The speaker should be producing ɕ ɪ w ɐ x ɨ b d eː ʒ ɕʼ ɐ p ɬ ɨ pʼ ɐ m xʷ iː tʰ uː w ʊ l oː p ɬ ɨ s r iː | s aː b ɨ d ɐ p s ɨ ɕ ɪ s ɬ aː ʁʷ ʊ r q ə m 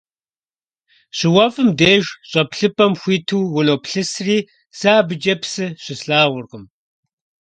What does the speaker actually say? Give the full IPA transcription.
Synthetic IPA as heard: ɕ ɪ w ɐ f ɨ m d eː ʒ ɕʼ ɐ p ɬ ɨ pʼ ɐ m xʷ iː tʰ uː w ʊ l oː p ɬ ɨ s r iː | s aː b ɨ d͡ʒ ɐ p s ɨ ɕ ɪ s ɬ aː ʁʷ ʊ r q ə m

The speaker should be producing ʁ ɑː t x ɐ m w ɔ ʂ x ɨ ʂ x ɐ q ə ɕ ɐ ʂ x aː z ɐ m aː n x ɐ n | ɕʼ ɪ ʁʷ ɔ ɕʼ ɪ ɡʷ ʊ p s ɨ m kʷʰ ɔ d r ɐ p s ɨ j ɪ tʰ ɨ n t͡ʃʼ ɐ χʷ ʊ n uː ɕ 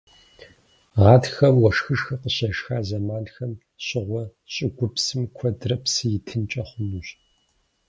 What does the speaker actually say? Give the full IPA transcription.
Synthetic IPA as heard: ʁ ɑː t x ɐ m w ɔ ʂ x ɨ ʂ x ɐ q ə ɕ ɐ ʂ x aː z ɐ m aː n x ɐ m | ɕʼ ɪ ʁʷ ɔ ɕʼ ɪ ɡʷ ʊ p s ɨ m kʷʰ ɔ d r ɐ p s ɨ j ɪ tʰ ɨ n t͡ʃʼ ɐ χʷ ʊ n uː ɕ

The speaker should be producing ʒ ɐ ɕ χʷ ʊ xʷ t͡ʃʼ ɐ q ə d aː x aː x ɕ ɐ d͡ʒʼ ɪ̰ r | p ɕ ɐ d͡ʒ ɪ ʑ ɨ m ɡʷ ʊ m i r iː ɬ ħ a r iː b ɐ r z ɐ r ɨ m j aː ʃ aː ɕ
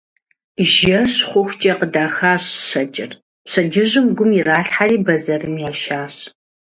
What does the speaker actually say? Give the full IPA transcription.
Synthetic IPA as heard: ʒ ɐ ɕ χʷ ʊ xʷ t͡ʃʼ ɐ q ə d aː x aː ɕ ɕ ɐ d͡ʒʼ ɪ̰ r | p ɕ ɐ d͡ʒ ɪ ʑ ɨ m ɡʷ ʊ m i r aː ɬ ħ a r iː b ɐ z ɐ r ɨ m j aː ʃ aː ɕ

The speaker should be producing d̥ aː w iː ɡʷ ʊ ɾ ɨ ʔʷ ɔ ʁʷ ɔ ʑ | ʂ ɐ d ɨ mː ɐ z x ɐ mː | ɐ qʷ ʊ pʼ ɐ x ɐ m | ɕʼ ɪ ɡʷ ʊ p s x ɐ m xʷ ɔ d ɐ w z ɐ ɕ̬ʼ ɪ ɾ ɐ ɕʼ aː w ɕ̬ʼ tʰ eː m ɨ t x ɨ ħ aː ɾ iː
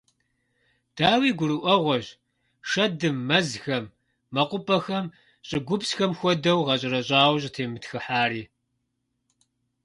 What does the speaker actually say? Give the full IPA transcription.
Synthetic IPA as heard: d̥ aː w iː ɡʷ ʊ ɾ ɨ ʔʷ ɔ ʁʷ ɔ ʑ | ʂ ɐ d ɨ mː ɐ z x ɐ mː | ɐ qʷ ʊ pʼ ɐ x ɐ m | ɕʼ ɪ ɡʷ ʊ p s x ɐ m xʷ ɔ d ɐ w ʁ ɐ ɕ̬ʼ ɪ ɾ ɐ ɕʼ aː w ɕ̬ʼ tʰ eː m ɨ t x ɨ ħ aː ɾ iː

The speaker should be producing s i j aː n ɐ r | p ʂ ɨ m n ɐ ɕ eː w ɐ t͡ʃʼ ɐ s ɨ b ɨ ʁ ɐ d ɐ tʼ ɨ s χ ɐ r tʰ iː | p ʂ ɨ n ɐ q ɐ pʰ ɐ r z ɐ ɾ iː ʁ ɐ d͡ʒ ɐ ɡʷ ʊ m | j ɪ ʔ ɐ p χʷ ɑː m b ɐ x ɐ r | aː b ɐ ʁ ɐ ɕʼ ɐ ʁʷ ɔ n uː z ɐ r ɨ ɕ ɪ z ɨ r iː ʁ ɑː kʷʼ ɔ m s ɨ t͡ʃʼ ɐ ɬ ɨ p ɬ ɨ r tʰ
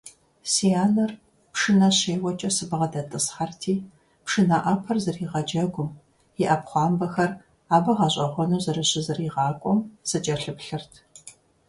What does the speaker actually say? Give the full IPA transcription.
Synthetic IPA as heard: s i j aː n ɐ r | p ʂ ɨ n ɐ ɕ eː w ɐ t͡ʃʼ ɐ s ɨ b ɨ ʁ ɐ d ɐ tʼ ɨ s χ ɐ r tʰ iː | p ʂ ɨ n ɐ ʔ ɐ pʰ ɐ r z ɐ r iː ʁ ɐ d͡ʒ ɐ ɡʷ ʊ m | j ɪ ʔ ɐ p χʷ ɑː m b ɐ x ɐ r | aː b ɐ ʁ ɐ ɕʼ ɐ ʁʷ ɔ n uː z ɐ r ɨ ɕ ɪ z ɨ r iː ʁ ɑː kʷʼ ɔ m s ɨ t͡ʃʼ ɐ ɬ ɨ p ɬ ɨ r tʰ

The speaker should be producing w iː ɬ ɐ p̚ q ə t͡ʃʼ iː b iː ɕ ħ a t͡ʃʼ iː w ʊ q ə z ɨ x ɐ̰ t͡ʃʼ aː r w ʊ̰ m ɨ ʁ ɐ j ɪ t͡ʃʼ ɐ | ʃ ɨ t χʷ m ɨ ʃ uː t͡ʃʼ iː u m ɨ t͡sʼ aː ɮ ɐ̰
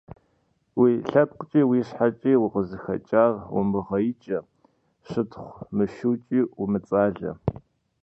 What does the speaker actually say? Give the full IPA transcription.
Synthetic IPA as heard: w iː ɬ ɐ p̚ q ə t͡ʃʼ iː w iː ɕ ħ a t͡ʃʼ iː w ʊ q ə z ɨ x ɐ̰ t͡ʃʼ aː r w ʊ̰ m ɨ ʁ ɐ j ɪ t͡ʃʼ ɐ | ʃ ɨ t χʷ m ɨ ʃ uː t͡ʃʼ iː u m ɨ t͡sʼ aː ɮ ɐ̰

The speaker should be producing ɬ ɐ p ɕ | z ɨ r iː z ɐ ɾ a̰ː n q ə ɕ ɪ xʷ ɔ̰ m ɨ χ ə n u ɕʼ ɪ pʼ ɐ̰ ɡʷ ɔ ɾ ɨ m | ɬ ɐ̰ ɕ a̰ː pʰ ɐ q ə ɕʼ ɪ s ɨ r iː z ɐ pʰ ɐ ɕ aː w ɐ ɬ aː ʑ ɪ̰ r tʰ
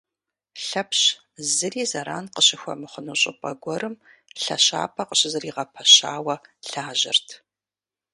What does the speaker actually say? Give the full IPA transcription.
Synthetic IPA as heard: ɬ ɐ p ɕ | z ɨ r iː z ɐ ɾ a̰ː n q ə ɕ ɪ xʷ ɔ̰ m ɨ χ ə n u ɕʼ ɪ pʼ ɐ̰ ɡʷ ɔ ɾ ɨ m | ɬ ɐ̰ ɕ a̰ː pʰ ɐ q ə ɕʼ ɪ z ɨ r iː ʁ ɐ pʰ ɐ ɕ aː w ɐ ɬ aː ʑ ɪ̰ r tʰ

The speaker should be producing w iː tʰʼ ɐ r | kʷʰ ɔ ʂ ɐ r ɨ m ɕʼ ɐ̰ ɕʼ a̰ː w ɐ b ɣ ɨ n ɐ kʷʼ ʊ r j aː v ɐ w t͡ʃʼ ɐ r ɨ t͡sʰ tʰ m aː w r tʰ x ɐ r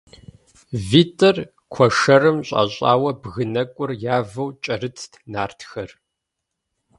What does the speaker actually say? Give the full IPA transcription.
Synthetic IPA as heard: v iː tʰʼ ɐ r | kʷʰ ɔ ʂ ɐ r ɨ m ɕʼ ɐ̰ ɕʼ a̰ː w ɐ b ɣ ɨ n ɐ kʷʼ ʊ r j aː v ɐ w t͡ʃʼ ɐ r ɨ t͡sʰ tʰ n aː r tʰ x ɐ r

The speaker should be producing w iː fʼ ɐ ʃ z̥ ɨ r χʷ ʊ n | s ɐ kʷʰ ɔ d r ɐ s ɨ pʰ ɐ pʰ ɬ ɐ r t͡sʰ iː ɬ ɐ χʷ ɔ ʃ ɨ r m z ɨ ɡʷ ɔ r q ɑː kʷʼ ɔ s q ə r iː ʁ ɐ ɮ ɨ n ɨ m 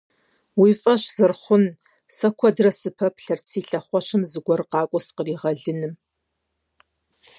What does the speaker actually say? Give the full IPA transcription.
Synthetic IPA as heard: w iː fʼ ɐ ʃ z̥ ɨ r χʷ ʊ n | s ɐ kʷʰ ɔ d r ɐ s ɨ pʰ ɐ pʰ ɬ ɐ r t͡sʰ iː ɬ ɐ χʷ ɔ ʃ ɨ m z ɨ ɡʷ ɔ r q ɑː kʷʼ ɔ s q ə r iː ʁ ɐ ɮ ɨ n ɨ m

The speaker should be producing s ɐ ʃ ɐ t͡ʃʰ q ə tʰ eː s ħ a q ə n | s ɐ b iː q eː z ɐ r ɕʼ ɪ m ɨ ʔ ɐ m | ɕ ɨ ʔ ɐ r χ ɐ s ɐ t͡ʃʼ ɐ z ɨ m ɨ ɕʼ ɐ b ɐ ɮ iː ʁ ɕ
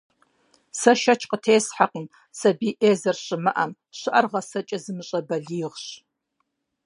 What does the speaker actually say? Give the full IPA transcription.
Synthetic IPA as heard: s ɐ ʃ ɐ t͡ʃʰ q ə tʰ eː s ħ a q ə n | s ɐ b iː ʔ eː z ɐ r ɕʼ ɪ m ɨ ʔ ɐ m | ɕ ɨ ʔ ɐ r ʁ ɐ s ɐ t͡ʃʼ ɐ z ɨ m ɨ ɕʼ ɐ b ɐ ɮ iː ʁ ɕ

